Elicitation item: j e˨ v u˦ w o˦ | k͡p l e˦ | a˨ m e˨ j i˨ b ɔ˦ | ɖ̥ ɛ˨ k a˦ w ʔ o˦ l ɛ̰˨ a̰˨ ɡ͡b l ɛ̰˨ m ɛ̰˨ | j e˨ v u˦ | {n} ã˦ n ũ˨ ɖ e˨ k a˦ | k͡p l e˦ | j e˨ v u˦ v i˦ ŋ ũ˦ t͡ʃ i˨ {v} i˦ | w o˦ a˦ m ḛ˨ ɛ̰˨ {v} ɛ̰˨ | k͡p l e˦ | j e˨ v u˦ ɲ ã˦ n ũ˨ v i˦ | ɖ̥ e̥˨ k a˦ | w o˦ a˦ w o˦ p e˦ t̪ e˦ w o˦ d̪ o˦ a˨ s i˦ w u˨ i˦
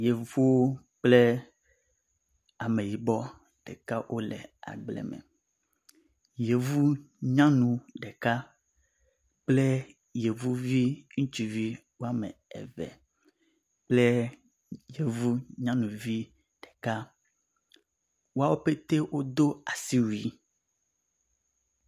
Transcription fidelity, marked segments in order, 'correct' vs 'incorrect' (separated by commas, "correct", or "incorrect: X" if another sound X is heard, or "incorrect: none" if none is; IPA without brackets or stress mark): incorrect: ɲ, correct, correct